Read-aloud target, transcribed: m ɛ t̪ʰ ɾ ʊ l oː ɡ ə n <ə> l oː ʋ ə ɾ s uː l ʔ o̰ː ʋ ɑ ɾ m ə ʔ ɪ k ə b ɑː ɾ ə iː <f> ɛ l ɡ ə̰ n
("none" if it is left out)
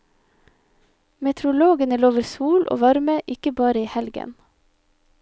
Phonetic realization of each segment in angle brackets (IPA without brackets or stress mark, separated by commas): ə, h